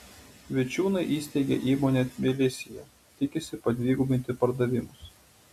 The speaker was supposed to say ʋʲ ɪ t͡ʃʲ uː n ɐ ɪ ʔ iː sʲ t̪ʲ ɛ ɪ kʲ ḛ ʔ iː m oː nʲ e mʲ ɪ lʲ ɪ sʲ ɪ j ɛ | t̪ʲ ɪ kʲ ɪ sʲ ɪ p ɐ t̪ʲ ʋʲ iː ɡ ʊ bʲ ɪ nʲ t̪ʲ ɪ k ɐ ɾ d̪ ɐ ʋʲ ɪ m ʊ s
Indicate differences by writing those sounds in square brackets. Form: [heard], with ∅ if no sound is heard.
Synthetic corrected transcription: ʋʲ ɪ t͡ʃʲ uː n ɐ ɪ ʔ iː sʲ t̪ʲ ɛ ɪ [ɡʲ] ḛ ʔ iː m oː nʲ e mʲ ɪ lʲ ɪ sʲ ɪ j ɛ | t̪ʲ ɪ kʲ ɪ sʲ ɪ p ɐ [d̪ʲ] ʋʲ iː ɡ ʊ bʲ ɪ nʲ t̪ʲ ɪ [p] ɐ ɾ d̪ ɐ ʋʲ ɪ m ʊ s